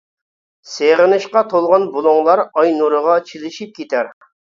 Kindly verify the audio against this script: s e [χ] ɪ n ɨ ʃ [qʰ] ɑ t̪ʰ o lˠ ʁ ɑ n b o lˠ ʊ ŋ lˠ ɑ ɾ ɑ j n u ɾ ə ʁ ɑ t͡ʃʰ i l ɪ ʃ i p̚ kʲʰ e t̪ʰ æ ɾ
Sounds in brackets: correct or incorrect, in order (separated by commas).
incorrect, incorrect